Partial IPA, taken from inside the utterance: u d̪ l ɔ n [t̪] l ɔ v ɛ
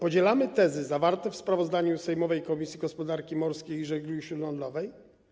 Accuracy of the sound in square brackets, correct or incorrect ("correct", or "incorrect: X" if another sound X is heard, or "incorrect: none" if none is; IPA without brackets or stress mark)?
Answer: incorrect: d̪